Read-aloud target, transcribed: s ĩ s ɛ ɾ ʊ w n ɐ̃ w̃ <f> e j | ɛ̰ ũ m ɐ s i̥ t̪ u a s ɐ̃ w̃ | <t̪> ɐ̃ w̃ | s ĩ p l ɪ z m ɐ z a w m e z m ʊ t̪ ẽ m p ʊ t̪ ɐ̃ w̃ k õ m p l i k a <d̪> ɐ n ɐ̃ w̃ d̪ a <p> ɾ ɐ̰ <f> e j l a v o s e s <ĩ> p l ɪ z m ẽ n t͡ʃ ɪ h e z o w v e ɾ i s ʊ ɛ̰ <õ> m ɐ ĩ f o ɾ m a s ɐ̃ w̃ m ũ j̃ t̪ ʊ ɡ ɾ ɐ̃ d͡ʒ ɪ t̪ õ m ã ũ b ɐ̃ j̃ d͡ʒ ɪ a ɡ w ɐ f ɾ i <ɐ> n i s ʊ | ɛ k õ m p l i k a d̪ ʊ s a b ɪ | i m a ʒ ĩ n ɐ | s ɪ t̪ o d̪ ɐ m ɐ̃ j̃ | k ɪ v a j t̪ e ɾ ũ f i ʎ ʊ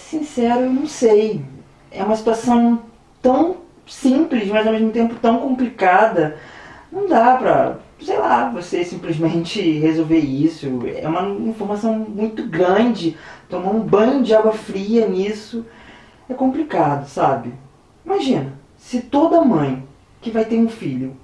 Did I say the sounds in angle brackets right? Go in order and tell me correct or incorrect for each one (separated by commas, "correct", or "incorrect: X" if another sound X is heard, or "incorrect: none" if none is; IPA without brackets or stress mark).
incorrect: s, correct, correct, correct, incorrect: s, correct, incorrect: ũ, correct